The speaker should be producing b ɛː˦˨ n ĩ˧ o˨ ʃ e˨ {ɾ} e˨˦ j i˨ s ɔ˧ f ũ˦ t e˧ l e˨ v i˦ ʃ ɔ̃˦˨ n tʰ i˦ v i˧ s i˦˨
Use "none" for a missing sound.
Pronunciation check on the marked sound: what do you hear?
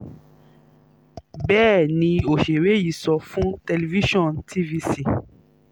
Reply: ɾ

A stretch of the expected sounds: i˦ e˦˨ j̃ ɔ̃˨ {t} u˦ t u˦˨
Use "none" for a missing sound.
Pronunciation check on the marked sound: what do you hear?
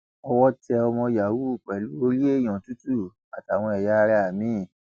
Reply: t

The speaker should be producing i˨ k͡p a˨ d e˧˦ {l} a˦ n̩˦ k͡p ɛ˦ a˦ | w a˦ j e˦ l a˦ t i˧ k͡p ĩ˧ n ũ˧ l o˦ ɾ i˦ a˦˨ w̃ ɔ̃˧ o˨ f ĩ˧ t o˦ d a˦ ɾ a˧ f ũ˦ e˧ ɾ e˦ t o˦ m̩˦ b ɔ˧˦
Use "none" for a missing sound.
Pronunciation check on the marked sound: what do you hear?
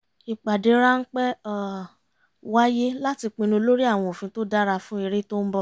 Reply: ɾ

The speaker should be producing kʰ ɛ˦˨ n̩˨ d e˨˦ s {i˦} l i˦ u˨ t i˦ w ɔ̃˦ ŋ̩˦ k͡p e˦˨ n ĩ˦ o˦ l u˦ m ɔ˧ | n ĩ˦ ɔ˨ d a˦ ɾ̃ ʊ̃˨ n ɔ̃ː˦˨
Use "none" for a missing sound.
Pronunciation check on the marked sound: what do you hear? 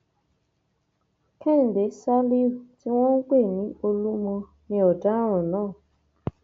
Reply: a˦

